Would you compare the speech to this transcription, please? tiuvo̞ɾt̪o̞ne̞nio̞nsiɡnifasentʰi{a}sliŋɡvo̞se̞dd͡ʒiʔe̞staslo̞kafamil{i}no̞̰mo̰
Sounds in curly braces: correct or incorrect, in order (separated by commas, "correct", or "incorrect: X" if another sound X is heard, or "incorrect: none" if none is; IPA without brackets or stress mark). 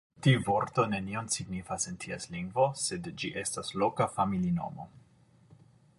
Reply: correct, correct